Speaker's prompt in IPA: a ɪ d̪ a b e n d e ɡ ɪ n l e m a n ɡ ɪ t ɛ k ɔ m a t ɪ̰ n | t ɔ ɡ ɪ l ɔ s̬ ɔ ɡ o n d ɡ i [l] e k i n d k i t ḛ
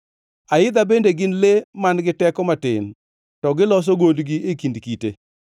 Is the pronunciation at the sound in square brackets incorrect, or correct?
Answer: incorrect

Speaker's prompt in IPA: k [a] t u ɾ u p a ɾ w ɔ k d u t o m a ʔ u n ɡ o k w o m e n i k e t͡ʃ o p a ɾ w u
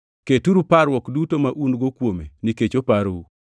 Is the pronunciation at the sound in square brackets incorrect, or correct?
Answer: incorrect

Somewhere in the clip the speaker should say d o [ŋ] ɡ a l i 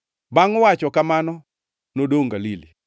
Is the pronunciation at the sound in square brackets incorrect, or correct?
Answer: correct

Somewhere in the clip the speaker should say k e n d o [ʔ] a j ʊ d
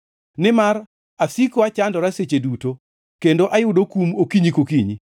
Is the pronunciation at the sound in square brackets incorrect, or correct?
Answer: correct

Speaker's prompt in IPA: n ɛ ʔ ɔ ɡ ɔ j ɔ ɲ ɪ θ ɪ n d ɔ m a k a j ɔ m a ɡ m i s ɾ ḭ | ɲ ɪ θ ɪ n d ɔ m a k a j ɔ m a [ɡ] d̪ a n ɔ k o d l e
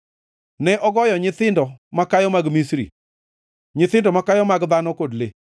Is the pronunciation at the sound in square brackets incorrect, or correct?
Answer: correct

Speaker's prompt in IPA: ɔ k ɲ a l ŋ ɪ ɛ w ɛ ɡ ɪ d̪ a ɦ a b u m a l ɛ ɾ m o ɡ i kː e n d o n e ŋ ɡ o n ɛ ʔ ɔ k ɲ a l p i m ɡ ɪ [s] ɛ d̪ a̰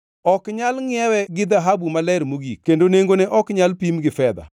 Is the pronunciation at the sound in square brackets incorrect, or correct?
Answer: incorrect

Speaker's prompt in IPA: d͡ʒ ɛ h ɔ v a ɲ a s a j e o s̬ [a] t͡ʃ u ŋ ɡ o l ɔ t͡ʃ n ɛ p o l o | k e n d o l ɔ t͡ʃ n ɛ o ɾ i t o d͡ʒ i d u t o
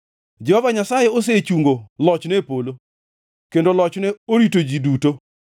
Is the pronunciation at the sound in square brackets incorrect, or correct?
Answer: incorrect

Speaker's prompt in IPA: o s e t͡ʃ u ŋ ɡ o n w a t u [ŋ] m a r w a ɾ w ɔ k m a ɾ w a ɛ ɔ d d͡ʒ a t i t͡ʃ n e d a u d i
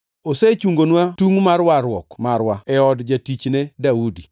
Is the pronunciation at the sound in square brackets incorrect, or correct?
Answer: correct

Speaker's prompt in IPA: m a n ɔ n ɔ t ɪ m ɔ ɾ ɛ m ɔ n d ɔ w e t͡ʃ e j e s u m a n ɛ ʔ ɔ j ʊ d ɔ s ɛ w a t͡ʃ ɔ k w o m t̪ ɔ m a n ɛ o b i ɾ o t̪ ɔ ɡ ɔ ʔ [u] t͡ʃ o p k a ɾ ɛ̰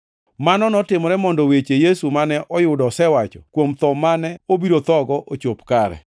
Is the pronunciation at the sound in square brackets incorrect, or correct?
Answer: incorrect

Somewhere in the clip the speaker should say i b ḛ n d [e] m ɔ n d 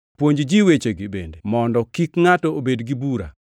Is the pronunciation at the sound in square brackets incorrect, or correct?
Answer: correct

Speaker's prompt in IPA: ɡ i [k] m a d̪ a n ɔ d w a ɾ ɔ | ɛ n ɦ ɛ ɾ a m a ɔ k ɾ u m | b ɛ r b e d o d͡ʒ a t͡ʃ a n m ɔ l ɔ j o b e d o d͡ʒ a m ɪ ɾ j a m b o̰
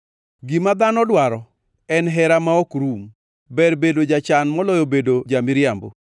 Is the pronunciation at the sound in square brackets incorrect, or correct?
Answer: incorrect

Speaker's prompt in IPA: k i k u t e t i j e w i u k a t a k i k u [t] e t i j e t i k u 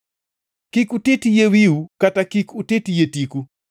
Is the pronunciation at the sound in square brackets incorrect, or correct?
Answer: correct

